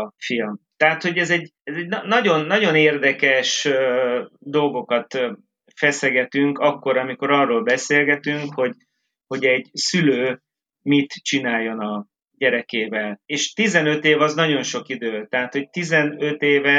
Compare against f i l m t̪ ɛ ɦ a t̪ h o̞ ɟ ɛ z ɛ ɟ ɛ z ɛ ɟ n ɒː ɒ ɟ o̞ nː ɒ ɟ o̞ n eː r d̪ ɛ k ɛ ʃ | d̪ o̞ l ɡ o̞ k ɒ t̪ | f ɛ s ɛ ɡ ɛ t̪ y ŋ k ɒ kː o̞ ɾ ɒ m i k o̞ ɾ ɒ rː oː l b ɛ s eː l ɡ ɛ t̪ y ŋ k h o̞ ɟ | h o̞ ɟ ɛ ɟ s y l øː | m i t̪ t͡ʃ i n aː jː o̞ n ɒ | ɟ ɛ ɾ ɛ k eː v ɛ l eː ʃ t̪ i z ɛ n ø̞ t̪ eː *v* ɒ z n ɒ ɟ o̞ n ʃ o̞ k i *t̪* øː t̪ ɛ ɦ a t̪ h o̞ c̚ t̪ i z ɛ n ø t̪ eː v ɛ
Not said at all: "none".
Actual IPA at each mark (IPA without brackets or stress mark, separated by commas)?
v, d̪